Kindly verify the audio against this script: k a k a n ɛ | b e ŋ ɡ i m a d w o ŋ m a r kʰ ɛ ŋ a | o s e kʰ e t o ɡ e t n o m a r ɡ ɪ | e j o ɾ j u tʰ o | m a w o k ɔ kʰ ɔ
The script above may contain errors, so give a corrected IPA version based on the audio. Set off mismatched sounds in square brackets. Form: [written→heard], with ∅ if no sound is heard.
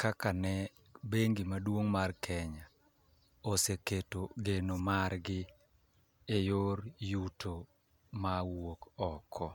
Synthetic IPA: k a k a n ɛ | b e ŋ ɡ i m a d w o ŋ m a r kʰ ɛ [ŋ→ɲ] a | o s e [kʰ→k] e t o ɡ e [t→∅] n o m a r ɡ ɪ | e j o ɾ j u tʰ o | m a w o k ɔ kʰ ɔ